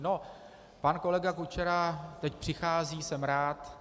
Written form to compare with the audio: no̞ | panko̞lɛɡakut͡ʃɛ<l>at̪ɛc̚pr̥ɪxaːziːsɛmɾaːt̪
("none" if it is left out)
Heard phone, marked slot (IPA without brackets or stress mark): ɾ